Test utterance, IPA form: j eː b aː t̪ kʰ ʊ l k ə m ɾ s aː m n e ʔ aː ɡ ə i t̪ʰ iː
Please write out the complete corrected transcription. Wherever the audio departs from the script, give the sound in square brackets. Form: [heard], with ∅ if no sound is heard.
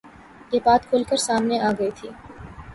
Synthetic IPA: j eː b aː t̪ kʰ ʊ l k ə [∅] ɾ s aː m n e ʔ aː ɡ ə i t̪ʰ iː